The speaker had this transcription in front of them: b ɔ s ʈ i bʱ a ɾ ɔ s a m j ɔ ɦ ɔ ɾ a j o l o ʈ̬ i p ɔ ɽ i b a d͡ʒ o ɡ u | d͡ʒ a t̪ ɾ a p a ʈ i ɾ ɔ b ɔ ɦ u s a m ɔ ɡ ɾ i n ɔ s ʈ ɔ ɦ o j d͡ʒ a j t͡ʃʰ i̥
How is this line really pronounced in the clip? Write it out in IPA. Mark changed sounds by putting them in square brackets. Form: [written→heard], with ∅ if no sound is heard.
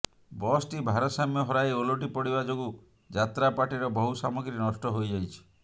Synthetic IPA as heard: b ɔ s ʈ i bʱ a ɾ ɔ s a m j ɔ ɦ ɔ ɾ a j o l o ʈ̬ i p ɔ ɽ i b a d͡ʒ o ɡ u | d͡ʒ a t̪ ɾ a p a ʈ i ɾ ɔ b ɔ ɦ u s a m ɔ ɡ ɾ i n ɔ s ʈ ɔ ɦ o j d͡ʒ a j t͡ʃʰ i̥